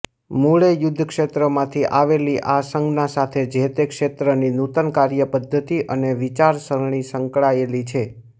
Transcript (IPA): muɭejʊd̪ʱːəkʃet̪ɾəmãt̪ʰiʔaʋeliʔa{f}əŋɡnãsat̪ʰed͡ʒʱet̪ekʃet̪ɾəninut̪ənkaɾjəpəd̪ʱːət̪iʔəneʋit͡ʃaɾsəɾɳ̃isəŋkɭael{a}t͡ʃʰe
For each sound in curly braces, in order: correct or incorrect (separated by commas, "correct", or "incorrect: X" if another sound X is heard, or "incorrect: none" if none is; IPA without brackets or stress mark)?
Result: incorrect: s, incorrect: i